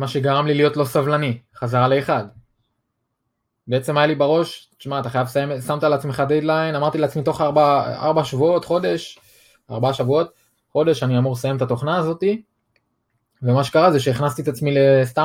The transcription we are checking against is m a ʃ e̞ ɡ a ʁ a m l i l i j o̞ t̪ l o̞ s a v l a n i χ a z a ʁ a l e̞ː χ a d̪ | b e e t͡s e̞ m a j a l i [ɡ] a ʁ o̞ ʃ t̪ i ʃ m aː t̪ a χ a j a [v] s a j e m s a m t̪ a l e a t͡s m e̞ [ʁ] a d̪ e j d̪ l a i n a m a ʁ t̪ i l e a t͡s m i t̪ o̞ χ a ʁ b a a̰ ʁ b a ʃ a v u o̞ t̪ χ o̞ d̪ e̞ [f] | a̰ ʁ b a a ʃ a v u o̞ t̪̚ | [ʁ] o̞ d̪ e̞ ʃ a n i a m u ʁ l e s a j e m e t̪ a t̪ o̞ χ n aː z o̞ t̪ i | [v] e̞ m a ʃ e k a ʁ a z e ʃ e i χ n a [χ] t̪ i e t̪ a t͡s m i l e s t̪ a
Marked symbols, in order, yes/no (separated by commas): no, yes, no, no, no, yes, no